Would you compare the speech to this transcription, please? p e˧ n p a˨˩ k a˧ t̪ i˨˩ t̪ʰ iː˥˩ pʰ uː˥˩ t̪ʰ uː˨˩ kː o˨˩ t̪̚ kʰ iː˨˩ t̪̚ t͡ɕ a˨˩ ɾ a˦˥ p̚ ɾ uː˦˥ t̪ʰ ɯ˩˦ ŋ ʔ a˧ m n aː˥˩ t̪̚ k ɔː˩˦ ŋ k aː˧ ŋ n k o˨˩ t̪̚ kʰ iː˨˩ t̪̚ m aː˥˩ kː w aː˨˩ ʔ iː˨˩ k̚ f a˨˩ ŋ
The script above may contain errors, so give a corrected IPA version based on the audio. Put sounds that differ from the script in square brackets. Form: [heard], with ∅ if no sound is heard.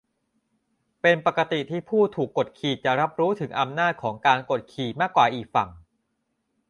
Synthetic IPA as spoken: p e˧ n p a˨˩ k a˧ t̪ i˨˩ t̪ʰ iː˥˩ pʰ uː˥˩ t̪ʰ uː˨˩ kː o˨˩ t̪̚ kʰ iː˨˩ t̪̚ t͡ɕ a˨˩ ɾ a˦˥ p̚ ɾ uː˦˥ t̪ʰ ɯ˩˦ ŋ ʔ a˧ m n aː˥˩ t̪̚ [kʰ] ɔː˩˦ ŋ k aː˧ [∅] n k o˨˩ t̪̚ kʰ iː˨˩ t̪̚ m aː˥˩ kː w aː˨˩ ʔ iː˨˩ k̚ f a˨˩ ŋ